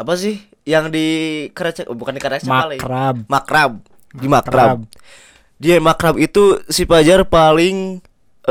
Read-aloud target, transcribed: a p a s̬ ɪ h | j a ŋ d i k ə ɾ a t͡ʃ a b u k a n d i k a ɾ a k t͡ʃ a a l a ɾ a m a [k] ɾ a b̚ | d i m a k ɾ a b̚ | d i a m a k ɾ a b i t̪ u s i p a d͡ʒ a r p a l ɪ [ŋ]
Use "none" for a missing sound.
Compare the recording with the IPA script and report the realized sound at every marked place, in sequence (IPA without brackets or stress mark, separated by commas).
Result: k, ŋ